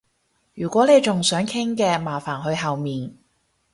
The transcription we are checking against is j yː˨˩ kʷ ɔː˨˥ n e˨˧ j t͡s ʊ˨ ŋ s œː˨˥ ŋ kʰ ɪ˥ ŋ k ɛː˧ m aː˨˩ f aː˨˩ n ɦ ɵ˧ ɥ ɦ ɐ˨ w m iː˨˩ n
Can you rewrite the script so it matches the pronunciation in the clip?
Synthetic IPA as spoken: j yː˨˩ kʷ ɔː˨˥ n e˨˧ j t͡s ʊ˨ ŋ s œː˨˥ ŋ kʰ ɪ˥ ŋ k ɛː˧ m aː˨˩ f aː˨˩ n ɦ ɵ˧ ɥ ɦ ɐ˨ w m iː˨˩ n